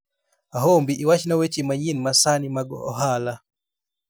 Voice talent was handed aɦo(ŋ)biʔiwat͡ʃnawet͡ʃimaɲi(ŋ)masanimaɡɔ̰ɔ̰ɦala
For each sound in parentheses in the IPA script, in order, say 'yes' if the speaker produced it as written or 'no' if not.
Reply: no, no

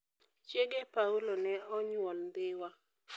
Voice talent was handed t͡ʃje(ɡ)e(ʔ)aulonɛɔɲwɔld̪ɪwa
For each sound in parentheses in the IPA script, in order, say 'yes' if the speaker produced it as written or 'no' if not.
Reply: yes, no

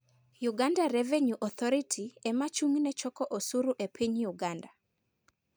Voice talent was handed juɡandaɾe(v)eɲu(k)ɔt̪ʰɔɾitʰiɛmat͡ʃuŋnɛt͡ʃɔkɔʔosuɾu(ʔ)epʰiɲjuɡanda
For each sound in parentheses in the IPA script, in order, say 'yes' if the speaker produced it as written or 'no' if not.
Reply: yes, no, yes

